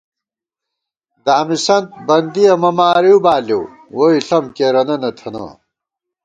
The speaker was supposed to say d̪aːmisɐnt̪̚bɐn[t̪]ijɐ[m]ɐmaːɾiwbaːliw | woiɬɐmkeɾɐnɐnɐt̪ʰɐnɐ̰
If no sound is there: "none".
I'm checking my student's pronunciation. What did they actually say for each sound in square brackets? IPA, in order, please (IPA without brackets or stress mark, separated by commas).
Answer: d̪, m